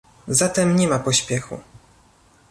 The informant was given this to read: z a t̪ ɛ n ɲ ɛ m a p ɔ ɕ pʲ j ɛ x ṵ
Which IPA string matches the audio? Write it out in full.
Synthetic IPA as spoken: z a t̪ ɛ m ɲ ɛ m a p ɔ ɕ pʲ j ɛ x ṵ

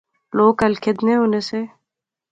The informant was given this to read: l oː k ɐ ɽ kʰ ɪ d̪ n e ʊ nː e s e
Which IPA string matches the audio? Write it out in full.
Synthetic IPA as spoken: l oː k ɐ l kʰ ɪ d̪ n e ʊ n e s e

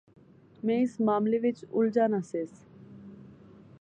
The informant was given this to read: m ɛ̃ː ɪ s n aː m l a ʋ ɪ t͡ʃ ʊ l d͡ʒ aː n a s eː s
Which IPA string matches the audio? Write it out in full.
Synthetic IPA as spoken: m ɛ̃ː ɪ s m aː m l e ʋ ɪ t͡ʃ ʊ l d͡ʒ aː n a s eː s

